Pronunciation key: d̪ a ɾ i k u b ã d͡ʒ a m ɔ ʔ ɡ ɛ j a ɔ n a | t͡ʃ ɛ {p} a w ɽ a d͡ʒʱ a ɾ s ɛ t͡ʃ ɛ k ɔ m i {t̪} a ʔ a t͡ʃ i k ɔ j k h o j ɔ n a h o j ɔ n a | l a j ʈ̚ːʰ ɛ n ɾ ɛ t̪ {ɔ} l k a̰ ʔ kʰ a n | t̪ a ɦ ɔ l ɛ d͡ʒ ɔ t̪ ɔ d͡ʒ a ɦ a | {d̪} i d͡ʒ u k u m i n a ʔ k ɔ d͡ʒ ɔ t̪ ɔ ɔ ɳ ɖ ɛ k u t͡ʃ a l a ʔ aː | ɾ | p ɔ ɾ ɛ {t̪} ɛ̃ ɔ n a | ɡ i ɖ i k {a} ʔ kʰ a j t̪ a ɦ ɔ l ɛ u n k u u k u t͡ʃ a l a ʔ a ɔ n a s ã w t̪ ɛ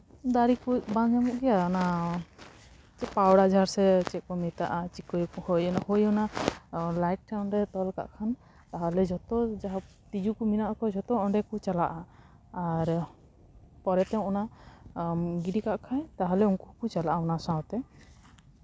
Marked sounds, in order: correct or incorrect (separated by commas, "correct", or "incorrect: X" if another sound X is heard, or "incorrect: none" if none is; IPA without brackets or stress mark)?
correct, correct, correct, incorrect: t̪, correct, correct